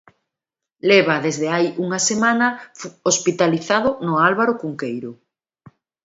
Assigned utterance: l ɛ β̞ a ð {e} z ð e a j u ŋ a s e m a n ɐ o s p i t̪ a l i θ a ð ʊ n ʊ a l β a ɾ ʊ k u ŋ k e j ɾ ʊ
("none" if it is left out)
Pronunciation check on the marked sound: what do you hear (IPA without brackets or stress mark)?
e